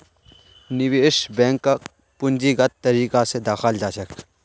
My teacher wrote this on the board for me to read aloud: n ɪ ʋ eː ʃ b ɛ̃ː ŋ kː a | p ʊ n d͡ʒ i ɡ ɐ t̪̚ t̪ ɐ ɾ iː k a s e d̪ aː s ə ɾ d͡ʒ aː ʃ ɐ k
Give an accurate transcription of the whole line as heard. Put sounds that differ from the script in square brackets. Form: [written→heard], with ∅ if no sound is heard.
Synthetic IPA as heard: n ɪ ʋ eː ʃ b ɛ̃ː ŋ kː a | p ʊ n d͡ʒ i ɡ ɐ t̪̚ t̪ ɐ ɾ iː k a s e d̪ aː [s→x] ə [ɾ→l] d͡ʒ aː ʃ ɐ k